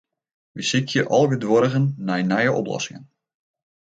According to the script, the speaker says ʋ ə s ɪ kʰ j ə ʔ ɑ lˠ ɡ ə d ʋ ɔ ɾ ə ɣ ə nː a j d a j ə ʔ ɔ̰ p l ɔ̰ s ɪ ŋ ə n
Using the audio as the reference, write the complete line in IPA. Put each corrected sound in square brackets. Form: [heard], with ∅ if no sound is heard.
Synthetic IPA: ʋ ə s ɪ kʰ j ə ʔ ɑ lˠ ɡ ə d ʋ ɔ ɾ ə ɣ ə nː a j [n] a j ə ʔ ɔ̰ p l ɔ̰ s ɪ ŋ ə n